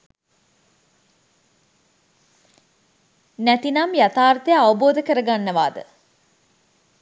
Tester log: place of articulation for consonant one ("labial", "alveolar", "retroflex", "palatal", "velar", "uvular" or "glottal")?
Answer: alveolar